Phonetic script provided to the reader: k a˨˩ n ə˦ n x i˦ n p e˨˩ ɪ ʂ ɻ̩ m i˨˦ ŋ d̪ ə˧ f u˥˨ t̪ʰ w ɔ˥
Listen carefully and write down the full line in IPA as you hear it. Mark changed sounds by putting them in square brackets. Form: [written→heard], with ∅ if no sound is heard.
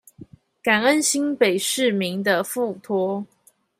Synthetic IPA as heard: k a˨˩ n ə˦ n [x→ɕ] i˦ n p e˨˩ ɪ ʂ ɻ̩ m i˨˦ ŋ d̪ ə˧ f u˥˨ t̪ʰ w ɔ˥